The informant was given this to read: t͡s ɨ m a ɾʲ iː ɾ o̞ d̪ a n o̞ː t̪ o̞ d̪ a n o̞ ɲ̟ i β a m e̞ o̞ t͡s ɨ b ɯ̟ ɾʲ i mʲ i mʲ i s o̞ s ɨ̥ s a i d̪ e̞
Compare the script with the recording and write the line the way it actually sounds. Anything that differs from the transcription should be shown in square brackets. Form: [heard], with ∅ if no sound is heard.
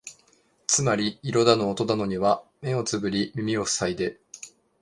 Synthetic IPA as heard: t͡s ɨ m a ɾʲ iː ɾ o̞ d̪ a n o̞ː t̪ o̞ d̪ a n o̞ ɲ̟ i β a m e̞ o̞ t͡s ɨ b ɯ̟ ɾʲ i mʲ i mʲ i [∅] o̞ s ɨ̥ s a i d̪ e̞